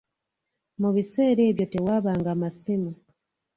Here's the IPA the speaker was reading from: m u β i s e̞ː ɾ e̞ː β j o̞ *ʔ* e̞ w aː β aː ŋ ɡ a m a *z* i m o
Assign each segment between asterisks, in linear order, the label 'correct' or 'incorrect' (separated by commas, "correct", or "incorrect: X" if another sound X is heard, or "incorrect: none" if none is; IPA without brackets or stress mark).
incorrect: t, incorrect: s